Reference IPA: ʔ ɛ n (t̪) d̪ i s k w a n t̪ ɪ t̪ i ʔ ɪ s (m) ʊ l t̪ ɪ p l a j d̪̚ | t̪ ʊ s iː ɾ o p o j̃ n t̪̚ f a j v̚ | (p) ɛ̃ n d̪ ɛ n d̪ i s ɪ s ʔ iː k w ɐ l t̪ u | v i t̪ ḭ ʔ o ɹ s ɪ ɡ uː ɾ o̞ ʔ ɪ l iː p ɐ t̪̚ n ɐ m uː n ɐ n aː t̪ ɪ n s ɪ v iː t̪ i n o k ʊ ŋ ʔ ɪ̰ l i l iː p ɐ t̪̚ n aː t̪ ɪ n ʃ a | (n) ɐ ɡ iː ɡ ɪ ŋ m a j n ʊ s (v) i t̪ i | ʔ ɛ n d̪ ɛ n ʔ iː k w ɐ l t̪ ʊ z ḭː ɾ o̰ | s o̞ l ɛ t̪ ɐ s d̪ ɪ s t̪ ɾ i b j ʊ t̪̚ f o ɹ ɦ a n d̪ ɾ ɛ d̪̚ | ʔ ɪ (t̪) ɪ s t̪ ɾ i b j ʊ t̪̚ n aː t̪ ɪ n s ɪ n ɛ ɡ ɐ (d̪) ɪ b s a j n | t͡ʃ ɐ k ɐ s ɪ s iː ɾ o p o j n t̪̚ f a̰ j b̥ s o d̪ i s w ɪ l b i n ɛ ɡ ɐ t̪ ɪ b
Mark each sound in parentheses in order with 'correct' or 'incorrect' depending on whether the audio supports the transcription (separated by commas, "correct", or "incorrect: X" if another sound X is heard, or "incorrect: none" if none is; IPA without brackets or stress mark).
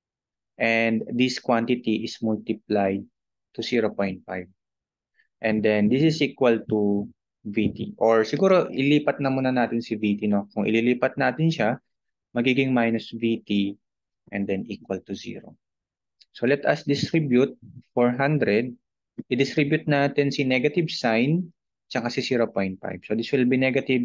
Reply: incorrect: d̪, correct, incorrect: ʔ, incorrect: m, correct, incorrect: d̪, incorrect: t̪